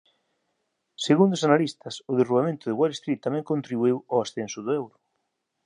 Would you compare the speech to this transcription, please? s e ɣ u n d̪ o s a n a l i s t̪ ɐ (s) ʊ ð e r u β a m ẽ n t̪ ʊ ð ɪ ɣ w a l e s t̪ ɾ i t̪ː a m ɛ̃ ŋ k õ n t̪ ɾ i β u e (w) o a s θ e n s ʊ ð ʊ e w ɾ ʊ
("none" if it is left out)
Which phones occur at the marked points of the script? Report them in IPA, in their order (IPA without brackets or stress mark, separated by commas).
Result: s, w